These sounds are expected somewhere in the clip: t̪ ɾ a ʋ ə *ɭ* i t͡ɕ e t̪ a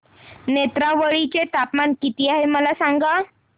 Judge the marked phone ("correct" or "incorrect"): correct